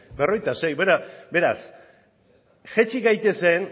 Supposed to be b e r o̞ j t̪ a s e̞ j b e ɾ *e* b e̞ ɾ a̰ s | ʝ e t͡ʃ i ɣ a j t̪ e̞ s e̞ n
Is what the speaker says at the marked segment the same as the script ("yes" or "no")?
no